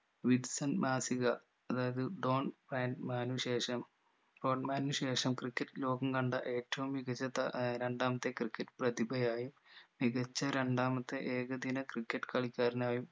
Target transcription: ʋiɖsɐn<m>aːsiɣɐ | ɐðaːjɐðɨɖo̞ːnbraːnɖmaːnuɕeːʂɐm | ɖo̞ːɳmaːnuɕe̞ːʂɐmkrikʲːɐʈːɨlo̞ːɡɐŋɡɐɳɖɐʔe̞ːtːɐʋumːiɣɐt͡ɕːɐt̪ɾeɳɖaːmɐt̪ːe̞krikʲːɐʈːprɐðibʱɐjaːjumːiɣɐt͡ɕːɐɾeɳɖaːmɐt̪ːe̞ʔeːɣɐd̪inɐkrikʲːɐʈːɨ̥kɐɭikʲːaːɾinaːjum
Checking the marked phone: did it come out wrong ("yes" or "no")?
no